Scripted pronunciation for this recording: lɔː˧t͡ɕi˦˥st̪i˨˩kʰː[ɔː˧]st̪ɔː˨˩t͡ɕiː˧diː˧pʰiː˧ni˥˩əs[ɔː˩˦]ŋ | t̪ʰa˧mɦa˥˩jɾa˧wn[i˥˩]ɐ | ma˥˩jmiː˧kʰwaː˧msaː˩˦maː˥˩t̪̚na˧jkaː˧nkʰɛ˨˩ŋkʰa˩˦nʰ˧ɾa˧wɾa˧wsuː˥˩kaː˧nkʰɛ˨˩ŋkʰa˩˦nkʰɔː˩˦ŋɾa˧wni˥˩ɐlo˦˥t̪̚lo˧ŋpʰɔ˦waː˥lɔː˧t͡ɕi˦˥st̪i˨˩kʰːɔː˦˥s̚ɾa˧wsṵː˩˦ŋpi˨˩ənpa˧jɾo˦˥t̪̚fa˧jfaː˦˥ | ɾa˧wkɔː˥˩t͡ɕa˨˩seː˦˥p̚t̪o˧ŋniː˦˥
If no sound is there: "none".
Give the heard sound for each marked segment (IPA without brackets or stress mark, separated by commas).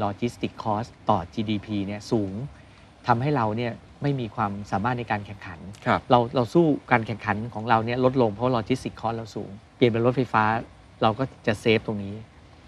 ɔː˦˥, uː˩˦, i˥˩